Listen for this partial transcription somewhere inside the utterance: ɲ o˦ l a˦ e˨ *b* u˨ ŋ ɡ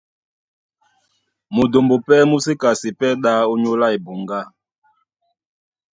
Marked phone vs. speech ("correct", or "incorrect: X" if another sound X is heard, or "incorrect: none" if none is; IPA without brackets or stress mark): correct